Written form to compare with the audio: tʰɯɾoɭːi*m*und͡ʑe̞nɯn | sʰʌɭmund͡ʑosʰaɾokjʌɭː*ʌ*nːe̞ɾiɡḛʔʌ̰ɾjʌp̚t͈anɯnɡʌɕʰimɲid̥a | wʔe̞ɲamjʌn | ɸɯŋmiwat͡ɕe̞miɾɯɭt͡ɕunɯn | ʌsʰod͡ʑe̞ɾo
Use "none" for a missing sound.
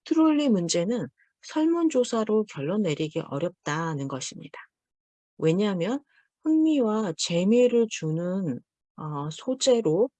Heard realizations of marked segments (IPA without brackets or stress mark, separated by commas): m, ʌ